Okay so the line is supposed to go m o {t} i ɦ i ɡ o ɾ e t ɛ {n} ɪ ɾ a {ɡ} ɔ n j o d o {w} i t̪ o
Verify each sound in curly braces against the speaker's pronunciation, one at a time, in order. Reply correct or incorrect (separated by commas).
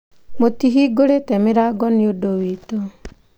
correct, incorrect, correct, correct